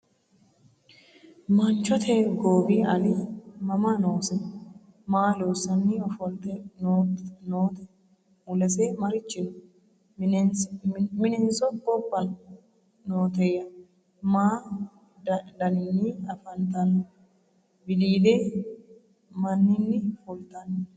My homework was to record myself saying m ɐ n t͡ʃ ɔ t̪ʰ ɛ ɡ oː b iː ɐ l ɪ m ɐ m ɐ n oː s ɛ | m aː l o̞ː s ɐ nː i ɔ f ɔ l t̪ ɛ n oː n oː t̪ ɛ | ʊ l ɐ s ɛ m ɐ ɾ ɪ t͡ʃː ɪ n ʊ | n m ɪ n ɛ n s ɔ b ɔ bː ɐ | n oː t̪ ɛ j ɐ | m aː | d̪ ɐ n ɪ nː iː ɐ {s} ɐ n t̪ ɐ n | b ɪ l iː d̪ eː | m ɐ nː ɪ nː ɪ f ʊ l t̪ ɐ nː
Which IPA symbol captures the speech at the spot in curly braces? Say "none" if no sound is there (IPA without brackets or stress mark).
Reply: f